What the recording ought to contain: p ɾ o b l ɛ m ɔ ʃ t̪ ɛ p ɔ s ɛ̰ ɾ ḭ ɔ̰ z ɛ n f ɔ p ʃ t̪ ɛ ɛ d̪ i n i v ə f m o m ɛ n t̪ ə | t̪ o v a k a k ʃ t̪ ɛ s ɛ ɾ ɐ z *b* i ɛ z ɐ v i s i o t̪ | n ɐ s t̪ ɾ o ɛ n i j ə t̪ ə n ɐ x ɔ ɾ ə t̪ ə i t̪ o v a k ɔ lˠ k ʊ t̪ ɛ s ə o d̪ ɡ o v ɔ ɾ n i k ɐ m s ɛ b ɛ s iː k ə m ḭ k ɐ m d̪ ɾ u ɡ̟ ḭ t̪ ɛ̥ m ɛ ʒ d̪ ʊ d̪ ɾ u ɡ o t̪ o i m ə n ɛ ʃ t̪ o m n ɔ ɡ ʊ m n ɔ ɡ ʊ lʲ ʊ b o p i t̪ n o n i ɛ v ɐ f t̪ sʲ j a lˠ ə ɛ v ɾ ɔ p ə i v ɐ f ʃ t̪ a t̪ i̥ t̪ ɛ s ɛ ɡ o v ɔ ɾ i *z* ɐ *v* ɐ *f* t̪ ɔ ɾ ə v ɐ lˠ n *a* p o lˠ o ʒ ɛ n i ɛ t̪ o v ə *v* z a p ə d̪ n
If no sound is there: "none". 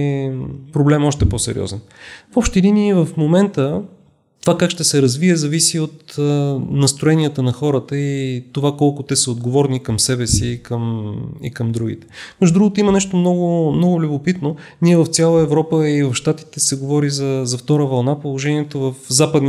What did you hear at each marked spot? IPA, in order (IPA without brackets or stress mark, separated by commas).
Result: v, z, z, f, a, f